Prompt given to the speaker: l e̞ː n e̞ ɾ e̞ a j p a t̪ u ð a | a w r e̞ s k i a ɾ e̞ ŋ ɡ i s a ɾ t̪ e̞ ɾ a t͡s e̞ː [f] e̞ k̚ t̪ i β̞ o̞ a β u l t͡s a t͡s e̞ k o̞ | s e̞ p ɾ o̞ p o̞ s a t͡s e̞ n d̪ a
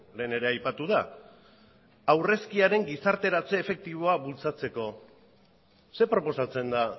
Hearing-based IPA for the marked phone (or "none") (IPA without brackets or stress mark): f